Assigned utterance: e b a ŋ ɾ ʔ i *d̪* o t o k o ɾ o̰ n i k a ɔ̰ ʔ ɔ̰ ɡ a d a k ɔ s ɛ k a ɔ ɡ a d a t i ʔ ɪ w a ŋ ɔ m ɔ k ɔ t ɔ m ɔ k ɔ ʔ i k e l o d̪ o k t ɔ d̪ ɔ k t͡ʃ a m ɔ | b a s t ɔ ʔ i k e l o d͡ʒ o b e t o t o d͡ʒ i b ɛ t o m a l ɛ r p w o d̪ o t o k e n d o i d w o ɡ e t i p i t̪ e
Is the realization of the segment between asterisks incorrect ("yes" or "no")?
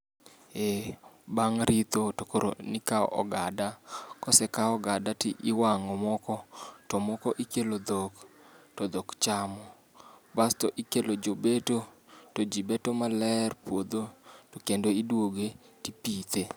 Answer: yes